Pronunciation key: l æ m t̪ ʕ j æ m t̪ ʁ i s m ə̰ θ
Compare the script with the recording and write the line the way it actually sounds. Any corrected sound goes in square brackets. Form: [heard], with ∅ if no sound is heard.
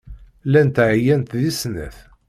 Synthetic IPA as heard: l æ [n] t̪ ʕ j æ [n] t̪ [ð] i s [n] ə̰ θ